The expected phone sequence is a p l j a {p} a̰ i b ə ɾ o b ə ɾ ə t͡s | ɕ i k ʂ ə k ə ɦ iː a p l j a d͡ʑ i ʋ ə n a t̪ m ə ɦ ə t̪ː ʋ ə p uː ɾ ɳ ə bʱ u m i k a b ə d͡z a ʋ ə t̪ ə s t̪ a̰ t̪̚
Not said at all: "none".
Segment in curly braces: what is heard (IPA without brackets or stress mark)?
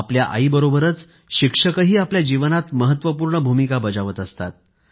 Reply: ʔ